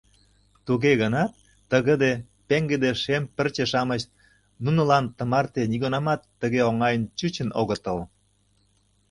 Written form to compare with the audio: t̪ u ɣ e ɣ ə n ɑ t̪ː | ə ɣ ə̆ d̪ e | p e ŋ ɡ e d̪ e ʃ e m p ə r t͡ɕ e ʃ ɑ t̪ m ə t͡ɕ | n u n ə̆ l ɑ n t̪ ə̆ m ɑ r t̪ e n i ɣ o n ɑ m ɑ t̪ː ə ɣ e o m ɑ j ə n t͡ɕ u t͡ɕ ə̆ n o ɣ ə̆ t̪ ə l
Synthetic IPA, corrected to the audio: t̪ u ɣ e ɣ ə n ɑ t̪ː | ə ɣ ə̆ d̪ e | p e ŋ ɡ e d̪ e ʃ e m p ə r t͡ɕ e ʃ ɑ m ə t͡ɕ | n u n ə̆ l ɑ n t̪ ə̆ m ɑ r t̪ e n i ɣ o n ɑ m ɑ t̪ː ə ɣ e o ŋ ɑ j ə n t͡ɕ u t͡ɕ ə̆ n o ɣ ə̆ t̪ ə l